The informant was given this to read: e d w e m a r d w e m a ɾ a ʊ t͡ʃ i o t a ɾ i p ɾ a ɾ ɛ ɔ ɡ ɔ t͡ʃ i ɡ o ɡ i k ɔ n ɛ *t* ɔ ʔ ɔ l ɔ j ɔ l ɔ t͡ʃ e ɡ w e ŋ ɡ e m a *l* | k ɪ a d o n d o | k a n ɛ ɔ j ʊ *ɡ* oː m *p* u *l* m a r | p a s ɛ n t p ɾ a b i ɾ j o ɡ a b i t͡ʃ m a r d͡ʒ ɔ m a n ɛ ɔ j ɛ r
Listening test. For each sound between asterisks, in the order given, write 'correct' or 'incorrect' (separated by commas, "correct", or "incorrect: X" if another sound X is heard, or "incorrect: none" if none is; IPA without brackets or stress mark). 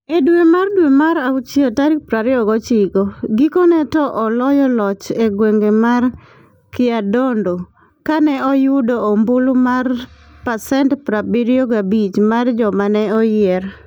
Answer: correct, incorrect: r, incorrect: d, incorrect: b, correct